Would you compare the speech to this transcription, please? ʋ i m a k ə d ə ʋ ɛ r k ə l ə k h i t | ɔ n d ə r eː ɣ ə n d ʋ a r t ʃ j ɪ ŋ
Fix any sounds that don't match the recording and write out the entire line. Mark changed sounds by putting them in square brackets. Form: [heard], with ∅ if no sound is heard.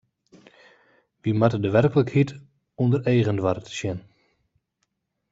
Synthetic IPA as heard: ʋ i m a [t] ə d ə ʋ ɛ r k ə l ə k h i t | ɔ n d ə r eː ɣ ə n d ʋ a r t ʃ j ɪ [n]

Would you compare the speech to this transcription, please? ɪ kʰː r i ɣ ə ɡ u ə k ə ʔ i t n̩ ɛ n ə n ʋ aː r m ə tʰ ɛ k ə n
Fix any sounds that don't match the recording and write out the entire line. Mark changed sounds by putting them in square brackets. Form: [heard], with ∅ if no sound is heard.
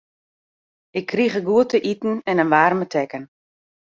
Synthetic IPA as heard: ɪ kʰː r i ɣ ə ɡ u ə [t] ə ʔ i t n̩ ɛ n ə n ʋ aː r m ə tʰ ɛ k ə n

